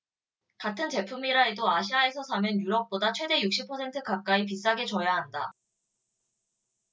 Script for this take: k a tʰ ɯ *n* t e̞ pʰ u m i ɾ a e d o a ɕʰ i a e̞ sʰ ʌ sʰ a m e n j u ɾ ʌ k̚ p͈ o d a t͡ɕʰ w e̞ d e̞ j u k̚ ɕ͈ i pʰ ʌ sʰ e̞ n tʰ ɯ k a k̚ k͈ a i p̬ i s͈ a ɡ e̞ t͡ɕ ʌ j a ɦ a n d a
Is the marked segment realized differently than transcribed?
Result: no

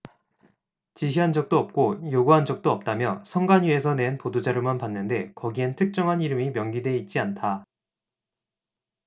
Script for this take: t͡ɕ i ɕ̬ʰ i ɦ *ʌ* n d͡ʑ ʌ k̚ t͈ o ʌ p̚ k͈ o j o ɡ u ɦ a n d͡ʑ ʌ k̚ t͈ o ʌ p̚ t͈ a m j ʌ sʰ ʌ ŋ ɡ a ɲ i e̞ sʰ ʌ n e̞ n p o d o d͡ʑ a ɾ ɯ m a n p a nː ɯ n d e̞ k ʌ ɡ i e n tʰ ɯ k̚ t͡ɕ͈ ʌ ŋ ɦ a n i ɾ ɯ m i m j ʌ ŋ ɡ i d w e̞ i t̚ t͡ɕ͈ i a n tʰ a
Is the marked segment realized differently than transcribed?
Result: yes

